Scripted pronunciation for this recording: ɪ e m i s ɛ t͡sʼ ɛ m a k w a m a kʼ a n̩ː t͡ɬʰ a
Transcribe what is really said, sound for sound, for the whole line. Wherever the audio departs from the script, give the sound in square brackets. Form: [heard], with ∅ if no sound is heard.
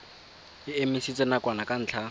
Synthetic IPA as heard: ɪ e m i s [i] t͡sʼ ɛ [n] a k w a [n] a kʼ a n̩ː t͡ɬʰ a